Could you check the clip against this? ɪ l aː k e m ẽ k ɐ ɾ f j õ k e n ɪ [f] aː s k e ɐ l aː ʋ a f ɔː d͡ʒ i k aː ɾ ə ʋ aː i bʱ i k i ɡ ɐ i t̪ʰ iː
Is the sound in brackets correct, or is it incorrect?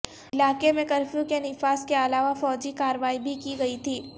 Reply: correct